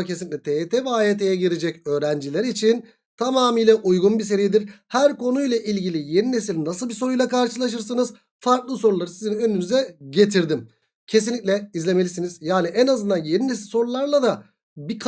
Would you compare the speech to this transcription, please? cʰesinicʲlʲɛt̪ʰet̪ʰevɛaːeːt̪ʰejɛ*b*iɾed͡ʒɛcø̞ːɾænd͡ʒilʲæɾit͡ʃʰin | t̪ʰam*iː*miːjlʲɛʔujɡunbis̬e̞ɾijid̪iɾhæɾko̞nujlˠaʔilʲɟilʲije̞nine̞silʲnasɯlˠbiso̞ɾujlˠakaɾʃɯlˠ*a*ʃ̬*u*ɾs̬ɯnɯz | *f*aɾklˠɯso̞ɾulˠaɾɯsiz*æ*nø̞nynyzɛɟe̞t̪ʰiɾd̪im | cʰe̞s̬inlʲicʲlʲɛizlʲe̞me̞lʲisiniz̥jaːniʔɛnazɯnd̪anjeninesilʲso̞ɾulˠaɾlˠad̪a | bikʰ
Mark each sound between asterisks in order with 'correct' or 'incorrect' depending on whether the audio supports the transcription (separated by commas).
incorrect, incorrect, correct, incorrect, correct, incorrect